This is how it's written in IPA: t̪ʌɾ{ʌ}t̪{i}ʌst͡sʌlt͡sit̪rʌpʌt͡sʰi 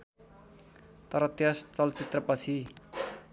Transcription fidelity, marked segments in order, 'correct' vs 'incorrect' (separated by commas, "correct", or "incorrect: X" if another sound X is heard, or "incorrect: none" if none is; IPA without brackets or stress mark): correct, incorrect: j